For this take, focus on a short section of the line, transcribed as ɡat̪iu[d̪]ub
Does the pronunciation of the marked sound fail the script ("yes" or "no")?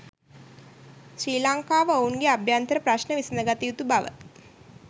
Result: yes